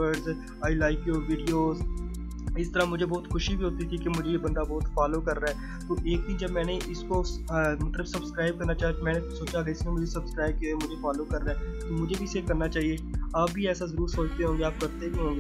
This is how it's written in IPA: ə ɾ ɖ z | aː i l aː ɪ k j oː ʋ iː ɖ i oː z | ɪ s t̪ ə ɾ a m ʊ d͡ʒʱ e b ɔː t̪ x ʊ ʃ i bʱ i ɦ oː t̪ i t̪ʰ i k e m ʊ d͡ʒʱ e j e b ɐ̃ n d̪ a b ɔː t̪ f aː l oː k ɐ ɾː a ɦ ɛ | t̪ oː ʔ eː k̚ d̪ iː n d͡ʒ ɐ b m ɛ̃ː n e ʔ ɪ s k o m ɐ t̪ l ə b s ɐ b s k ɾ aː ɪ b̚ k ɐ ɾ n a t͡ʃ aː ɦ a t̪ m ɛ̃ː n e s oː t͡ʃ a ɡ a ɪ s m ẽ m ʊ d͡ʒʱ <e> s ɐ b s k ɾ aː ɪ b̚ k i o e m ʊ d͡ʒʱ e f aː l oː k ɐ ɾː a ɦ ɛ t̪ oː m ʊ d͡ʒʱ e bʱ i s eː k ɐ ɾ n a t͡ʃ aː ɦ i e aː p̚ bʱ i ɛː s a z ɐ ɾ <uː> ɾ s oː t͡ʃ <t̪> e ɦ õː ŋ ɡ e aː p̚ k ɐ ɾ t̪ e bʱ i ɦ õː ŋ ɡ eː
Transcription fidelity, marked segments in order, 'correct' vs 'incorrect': correct, correct, correct

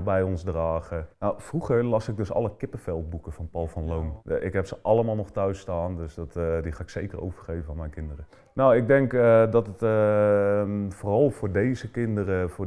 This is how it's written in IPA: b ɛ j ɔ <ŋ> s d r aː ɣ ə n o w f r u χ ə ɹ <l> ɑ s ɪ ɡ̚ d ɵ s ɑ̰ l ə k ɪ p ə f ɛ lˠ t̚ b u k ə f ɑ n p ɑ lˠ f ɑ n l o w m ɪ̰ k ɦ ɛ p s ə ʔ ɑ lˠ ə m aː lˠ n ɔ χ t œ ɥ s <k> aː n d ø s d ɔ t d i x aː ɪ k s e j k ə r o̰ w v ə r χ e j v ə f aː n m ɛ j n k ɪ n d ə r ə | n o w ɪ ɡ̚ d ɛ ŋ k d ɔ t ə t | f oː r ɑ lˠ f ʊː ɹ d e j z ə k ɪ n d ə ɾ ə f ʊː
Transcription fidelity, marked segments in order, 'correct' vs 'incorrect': incorrect, correct, incorrect

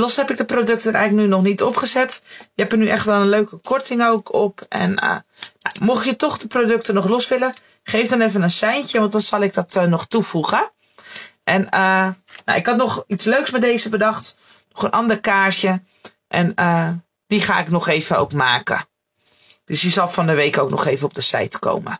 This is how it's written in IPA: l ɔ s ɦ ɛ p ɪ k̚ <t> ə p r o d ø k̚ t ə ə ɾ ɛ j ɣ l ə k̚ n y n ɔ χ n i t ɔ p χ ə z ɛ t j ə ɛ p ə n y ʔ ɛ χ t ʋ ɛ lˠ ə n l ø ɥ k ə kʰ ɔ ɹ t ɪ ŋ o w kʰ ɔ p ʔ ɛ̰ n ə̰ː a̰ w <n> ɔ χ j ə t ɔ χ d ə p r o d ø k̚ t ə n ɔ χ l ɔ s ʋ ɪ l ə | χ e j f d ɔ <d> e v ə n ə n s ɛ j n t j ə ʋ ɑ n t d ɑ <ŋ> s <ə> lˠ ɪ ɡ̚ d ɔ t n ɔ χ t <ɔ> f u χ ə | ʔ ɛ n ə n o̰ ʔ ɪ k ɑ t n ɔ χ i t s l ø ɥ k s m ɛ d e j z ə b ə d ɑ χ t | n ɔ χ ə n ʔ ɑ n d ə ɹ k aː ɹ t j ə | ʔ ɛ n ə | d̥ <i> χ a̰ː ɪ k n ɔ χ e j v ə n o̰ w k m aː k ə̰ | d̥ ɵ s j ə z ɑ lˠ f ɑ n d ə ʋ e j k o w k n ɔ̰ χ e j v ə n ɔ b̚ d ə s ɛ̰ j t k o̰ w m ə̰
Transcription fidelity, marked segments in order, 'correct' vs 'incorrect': incorrect, incorrect, incorrect, incorrect, incorrect, incorrect, correct

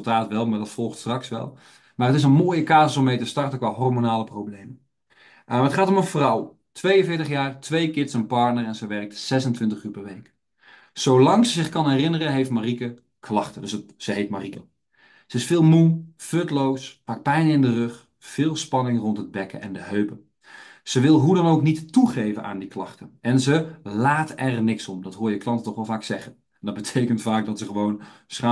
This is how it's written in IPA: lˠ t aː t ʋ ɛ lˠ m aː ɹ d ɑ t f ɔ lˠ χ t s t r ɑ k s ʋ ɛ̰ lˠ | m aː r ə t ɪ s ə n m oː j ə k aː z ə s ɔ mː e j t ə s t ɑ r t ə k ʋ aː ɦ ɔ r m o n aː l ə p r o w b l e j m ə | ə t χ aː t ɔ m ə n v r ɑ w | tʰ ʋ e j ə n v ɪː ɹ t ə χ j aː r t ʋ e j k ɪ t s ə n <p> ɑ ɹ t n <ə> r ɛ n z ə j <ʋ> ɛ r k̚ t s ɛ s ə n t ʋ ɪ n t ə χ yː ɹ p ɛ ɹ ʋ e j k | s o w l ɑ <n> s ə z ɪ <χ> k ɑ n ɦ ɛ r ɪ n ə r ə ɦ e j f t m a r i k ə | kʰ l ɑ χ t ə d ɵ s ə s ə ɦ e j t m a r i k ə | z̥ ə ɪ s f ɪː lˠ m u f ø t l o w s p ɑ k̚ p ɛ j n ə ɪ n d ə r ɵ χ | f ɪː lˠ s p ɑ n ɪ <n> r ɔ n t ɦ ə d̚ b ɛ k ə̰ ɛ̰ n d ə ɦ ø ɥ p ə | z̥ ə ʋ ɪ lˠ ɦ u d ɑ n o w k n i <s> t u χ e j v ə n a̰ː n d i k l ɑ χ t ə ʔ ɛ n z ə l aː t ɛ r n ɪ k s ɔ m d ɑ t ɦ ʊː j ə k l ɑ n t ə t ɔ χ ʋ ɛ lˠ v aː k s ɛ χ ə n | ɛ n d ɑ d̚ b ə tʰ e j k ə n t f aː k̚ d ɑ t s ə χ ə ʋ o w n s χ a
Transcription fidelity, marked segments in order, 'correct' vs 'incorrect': correct, correct, correct, incorrect, correct, incorrect, incorrect

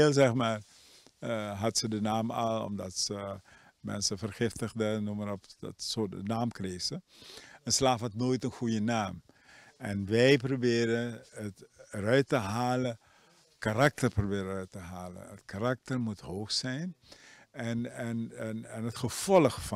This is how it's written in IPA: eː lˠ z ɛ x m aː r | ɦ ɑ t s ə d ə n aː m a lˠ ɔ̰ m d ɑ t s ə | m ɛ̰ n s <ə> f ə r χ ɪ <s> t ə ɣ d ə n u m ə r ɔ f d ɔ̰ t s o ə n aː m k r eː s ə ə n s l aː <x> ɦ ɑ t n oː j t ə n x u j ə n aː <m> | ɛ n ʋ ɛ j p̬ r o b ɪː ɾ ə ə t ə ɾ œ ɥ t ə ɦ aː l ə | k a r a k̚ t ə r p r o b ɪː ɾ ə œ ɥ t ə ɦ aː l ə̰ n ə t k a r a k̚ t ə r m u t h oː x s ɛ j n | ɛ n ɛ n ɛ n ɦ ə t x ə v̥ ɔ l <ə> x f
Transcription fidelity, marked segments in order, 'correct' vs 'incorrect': correct, incorrect, incorrect, correct, correct

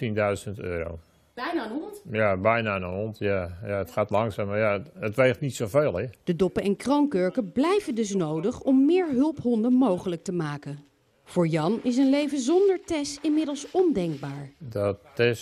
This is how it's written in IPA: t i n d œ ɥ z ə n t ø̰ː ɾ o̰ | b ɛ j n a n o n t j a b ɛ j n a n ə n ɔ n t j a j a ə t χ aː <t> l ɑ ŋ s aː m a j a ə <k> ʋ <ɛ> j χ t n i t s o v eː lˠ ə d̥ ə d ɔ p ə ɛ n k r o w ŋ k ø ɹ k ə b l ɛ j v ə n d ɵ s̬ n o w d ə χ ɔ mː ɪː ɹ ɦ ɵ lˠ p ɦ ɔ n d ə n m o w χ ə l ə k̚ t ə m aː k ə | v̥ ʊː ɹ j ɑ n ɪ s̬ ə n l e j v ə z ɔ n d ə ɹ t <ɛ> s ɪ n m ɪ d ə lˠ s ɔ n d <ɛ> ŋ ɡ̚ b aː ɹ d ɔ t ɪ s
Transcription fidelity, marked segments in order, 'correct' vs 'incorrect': correct, incorrect, incorrect, correct, correct

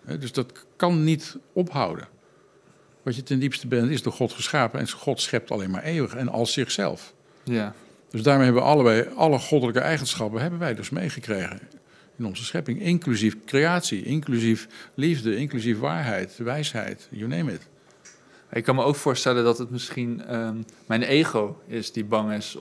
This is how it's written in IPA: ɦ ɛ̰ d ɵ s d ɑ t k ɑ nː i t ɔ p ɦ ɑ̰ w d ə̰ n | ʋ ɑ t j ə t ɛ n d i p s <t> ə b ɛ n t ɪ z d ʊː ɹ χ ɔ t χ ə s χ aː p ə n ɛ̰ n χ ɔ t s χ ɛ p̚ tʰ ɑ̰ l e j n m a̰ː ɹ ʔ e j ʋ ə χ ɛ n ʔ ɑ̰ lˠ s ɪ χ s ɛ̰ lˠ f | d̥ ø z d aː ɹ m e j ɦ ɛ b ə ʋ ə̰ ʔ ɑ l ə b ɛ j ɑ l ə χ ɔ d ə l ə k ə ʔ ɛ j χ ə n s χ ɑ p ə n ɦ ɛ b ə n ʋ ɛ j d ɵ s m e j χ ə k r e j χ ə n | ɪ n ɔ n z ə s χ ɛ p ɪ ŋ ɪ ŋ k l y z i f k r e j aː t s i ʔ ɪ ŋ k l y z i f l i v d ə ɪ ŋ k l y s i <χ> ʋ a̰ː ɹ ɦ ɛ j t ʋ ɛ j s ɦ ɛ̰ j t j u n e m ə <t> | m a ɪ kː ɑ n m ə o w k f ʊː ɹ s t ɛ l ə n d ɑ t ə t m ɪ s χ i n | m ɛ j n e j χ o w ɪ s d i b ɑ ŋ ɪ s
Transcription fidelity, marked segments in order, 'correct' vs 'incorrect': correct, incorrect, correct

